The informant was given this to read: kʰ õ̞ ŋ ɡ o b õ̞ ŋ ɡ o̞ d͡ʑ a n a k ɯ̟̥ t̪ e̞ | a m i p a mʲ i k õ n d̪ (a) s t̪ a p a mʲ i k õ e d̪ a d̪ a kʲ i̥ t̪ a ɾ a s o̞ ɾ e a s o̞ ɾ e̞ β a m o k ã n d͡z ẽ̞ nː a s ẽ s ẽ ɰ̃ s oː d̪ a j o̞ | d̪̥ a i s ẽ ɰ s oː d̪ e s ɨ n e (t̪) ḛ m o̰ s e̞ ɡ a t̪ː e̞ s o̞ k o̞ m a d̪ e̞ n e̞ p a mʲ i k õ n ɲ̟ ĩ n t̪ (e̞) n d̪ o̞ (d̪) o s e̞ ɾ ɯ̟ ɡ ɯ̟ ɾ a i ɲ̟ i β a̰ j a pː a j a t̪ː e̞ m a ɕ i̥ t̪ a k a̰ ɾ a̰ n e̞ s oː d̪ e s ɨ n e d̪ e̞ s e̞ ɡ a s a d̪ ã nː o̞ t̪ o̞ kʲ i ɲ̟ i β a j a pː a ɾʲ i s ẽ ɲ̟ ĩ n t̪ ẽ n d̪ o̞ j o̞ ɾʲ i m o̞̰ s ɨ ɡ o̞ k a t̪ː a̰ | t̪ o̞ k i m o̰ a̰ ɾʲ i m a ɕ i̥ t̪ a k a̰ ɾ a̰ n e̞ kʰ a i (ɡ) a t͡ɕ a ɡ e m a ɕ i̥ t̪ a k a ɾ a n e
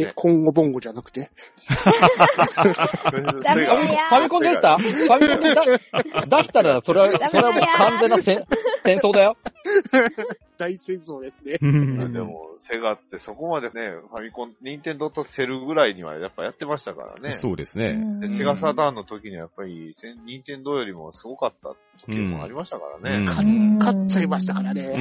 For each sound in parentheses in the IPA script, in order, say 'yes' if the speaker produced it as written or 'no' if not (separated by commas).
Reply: no, no, no, no, no